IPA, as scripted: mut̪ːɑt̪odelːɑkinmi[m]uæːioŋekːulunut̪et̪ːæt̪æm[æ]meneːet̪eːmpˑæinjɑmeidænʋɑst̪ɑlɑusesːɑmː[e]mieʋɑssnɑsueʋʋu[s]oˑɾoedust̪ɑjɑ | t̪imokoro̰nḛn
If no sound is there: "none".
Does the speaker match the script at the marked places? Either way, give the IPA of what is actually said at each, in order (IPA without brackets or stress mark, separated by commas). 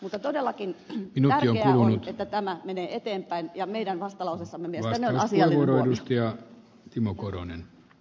n, æ, e, none